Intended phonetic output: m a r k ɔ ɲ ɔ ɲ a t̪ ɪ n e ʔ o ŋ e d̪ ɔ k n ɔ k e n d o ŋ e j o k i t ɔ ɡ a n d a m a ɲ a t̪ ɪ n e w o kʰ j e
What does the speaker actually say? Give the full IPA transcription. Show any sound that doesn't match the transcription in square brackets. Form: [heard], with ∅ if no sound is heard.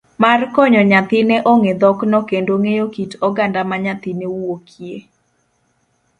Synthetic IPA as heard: m a r k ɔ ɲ ɔ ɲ a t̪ ɪ n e ʔ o ŋ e d̪ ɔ k n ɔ k e n d o ŋ e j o k i t ɔ ɡ a n d a m a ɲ a t̪ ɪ n e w o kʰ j e